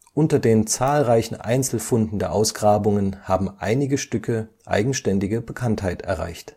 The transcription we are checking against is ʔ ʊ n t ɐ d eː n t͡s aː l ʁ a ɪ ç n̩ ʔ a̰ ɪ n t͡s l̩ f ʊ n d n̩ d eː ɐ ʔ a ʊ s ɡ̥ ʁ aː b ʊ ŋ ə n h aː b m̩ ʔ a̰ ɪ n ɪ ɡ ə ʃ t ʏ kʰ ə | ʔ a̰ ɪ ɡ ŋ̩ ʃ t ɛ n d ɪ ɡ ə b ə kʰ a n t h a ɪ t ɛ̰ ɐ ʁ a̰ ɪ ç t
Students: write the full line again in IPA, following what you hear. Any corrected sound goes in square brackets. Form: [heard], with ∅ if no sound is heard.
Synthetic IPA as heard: ʔ ʊ n t ɐ d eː n t͡s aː l ʁ a ɪ ç n̩ ʔ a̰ ɪ n t͡s l̩ f ʊ n d n̩ d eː ɐ ʔ a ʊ s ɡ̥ ʁ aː b ʊ ŋ ə n h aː b m̩ ʔ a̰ ɪ n ɪ ɡ ə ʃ t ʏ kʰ ə | ʔ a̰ ɪ ɡ ŋ̩ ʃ t ɛ n d ɪ ɡ ə b ə kʰ a n t h a ɪ t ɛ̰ ɐ ʁ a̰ ɪ ç t